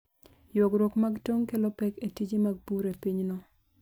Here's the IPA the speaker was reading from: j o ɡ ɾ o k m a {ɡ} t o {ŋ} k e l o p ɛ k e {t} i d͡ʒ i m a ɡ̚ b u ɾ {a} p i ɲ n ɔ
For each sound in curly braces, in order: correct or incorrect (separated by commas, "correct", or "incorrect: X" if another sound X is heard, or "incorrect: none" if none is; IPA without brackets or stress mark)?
correct, correct, correct, incorrect: e